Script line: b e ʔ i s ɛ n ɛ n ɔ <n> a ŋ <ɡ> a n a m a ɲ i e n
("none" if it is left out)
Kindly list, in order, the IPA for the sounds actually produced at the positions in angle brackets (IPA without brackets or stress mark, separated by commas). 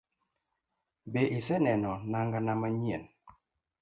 n, ɡ